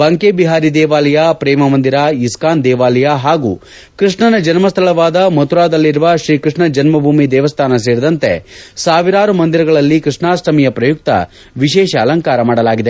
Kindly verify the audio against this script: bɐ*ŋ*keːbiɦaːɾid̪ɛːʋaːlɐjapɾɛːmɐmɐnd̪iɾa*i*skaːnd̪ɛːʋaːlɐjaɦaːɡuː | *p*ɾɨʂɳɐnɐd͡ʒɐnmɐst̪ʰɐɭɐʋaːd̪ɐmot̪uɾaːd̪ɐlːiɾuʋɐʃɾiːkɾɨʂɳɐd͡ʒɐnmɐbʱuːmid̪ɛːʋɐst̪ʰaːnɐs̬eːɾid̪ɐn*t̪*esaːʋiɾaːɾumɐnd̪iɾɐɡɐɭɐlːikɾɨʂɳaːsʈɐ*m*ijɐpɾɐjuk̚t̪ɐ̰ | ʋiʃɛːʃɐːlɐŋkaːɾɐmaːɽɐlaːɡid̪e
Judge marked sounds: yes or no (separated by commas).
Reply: yes, yes, no, yes, yes